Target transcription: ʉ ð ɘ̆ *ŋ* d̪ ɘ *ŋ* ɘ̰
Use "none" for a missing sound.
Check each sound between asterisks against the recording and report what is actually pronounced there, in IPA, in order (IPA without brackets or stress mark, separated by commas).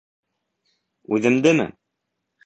m, m